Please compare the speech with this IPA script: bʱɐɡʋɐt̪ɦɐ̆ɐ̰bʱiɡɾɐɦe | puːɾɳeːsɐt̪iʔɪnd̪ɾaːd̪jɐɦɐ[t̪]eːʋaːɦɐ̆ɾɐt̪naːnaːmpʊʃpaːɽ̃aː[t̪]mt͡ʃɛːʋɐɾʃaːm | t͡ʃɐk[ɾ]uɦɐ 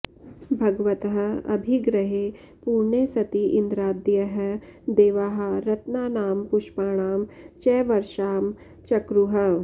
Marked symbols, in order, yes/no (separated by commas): no, no, yes